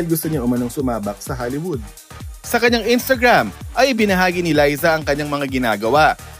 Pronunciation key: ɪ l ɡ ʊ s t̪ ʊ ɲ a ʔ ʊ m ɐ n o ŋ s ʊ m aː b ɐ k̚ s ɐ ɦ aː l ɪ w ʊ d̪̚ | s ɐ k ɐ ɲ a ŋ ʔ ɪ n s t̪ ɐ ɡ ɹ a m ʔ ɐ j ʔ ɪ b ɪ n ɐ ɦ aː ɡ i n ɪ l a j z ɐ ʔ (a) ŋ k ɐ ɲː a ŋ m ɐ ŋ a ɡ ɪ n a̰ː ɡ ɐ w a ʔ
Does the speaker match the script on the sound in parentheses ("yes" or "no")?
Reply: no